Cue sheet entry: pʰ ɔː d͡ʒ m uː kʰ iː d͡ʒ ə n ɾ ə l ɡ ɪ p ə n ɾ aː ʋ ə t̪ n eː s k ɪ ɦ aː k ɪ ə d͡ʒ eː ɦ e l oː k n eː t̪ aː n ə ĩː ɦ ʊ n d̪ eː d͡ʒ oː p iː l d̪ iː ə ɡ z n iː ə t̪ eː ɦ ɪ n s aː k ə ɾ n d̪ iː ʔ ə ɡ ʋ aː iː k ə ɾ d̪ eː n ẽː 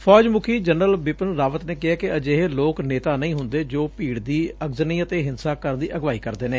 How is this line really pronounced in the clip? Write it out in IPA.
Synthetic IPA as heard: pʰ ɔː d͡ʒ m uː kʰ iː d͡ʒ ə n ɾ ə l b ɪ p ə n ɾ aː ʋ ə t̪ n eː k ɪ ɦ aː k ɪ ə d͡ʒ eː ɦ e l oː k n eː t̪ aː n ə ĩː ɦ ʊ n d̪ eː d͡ʒ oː p iː ɽ d̪ iː ə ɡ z n iː ə t̪ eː ɦ ɪ n s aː k ə ɾ n d̪ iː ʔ ə ɡ ʋ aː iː k ə ɾ d̪ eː n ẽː